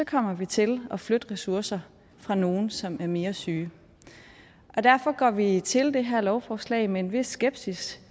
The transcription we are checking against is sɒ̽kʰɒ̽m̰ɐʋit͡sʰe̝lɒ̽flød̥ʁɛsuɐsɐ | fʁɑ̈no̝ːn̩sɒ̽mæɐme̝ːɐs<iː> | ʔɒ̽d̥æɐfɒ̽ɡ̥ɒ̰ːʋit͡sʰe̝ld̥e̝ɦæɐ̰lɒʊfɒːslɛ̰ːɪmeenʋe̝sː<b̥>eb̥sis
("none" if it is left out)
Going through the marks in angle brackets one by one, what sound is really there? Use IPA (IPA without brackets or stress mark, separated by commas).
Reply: yː, ɡ̥